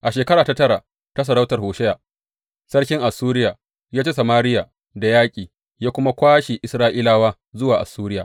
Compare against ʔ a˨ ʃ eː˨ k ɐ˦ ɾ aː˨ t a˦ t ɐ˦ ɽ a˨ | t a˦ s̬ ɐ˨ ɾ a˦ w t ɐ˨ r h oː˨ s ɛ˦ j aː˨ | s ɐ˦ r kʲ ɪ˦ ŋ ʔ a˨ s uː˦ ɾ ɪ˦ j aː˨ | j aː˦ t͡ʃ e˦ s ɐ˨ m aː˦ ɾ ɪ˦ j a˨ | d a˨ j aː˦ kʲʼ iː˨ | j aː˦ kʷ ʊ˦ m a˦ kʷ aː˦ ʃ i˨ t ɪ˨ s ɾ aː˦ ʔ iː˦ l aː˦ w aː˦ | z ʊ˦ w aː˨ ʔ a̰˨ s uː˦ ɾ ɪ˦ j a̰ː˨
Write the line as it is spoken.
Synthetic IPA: ʔ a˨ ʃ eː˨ k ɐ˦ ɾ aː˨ t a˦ t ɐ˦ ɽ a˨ | t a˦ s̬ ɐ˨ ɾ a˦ w t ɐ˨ r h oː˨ ʃ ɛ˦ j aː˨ | s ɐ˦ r kʲ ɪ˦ ŋ ʔ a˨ s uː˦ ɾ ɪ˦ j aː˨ | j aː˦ t͡ʃ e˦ s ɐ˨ m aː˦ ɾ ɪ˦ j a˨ | d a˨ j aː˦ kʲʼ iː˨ | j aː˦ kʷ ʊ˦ m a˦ kʷ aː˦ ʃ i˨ ʔ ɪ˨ s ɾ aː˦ ʔ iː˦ l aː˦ w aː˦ | z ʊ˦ w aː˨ ʔ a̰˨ s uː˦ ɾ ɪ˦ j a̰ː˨

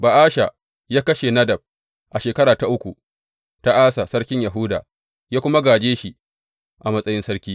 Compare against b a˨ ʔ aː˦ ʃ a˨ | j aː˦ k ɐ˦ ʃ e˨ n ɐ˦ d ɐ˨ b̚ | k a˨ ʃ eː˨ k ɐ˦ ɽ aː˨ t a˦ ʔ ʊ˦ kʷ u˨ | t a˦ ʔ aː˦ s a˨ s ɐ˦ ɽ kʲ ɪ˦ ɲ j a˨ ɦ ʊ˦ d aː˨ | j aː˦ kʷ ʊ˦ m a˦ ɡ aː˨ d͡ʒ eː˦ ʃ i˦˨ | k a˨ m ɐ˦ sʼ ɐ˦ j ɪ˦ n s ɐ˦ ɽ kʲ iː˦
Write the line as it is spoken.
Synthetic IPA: b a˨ ʔ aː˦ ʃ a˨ | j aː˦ k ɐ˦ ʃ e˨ n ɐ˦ d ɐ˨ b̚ | ʔ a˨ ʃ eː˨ k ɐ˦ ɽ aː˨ t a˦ ʔ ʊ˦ kʷ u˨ | t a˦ ʔ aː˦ s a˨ s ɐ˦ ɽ kʲ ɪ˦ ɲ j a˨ ɦ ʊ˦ d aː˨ | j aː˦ kʷ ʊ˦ m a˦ ɡ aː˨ d͡ʒ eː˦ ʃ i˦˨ | ʔ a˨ m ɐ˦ sʼ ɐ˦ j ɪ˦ n s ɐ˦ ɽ kʲ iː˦

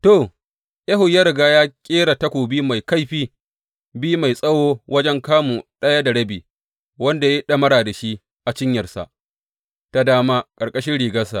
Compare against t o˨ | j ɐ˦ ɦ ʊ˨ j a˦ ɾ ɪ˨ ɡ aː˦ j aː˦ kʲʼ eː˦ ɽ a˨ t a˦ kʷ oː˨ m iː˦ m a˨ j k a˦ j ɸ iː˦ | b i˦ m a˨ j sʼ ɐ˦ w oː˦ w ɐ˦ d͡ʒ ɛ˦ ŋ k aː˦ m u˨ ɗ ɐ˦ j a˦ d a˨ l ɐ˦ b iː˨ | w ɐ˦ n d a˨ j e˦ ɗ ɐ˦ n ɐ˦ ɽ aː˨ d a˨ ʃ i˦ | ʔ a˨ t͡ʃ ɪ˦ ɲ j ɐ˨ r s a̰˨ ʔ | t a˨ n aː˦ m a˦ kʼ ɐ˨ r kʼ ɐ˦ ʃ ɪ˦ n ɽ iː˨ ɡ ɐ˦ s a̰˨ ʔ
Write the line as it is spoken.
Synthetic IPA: t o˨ | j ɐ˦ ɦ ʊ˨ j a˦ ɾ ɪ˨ ɡ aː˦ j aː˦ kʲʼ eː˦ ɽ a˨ t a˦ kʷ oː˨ b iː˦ m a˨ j k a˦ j ɸ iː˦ | b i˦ m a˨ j sʼ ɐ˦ w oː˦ w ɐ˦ d͡ʒ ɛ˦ ŋ k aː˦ m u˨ ɗ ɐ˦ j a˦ d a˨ ɽ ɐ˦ b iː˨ | w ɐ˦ n d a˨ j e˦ ɗ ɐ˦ m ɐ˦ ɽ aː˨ d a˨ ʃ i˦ | ʔ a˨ t͡ʃ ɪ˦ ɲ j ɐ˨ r s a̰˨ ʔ | t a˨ d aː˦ m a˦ kʼ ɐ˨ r kʼ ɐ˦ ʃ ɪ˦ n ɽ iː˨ ɡ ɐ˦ s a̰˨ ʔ

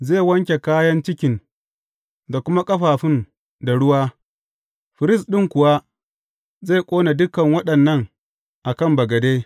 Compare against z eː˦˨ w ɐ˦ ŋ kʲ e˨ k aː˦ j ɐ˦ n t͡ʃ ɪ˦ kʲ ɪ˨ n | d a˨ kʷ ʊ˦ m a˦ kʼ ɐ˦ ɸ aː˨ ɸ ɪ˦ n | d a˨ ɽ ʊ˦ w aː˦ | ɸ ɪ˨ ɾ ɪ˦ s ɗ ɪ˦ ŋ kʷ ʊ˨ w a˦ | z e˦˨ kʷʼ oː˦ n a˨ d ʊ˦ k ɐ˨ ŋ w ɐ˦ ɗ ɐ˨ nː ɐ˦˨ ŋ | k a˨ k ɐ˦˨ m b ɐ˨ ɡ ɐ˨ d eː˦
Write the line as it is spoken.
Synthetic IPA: z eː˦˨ w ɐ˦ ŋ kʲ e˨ k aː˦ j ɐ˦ n t͡ʃ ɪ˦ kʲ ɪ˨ n | d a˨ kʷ ʊ˦ m a˦ kʼ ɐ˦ ɸ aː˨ ɸ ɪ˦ n | d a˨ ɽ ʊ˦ w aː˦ | ɸ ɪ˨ ɾ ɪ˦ s ɗ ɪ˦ ŋ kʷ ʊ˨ w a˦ | z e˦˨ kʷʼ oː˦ n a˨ d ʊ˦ k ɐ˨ ŋ w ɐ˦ ɗ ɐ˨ nː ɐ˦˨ ŋ | ʔ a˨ k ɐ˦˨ m b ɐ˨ ɡ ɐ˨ d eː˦

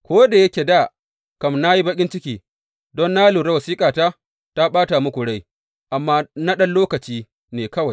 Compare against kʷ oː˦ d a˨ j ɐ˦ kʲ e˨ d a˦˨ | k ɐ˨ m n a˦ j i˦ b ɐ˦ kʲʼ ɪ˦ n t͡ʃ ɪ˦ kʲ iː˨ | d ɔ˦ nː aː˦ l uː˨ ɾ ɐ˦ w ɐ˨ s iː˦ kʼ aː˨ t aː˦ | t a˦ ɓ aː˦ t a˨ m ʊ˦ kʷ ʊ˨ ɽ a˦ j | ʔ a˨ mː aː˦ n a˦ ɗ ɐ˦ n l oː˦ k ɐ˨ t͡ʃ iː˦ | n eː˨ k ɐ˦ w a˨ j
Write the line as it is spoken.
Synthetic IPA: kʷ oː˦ d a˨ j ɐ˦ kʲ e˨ d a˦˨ | k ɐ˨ m n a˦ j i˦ b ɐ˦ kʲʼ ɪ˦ n t͡ʃ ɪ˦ kʲ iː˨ | d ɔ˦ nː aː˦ l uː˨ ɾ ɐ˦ w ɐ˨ s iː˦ kʼ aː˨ t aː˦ | t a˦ ɓ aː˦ t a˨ m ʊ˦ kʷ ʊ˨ ɽ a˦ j | ʔ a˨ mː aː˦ n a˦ ɗ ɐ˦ n l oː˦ k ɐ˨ t͡ʃ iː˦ | n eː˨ k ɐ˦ w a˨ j

